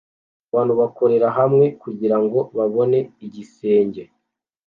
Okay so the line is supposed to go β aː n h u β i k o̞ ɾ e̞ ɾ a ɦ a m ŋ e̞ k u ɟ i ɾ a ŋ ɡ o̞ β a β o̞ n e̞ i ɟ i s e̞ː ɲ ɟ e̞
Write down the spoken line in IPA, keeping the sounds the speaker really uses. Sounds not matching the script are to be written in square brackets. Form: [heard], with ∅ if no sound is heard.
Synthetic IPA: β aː n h u β [a] k o̞ ɾ e̞ ɾ a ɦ a m ŋ e̞ k u ɟ i ɾ a ŋ ɡ o̞ β a β o̞ n e̞ i ɟ i s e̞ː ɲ ɟ e̞